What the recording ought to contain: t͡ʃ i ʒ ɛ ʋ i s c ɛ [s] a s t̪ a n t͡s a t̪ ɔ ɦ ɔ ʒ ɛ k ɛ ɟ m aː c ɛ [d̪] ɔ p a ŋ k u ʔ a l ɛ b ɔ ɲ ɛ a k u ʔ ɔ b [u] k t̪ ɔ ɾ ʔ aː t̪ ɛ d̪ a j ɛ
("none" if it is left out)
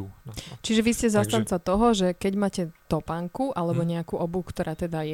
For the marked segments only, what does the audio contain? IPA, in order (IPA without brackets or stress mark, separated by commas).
z, t̪, u